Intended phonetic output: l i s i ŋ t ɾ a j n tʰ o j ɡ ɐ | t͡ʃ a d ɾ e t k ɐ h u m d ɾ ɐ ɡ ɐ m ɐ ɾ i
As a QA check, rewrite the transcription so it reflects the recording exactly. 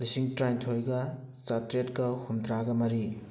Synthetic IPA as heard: l i s i ŋ t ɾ a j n tʰ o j ɡ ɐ | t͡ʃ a t ɾ e t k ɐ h u m d ɾ a ɡ ɐ m ɐ ɾ i